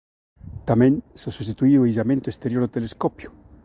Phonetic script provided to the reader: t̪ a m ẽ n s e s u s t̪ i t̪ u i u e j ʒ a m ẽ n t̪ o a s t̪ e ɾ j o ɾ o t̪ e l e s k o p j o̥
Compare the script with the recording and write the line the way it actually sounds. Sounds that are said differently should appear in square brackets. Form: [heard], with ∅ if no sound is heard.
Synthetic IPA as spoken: t̪ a m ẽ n s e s u s t̪ i t̪ u i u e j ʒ a m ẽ n t̪ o [e] s t̪ e ɾ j o ɾ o t̪ e l e s k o p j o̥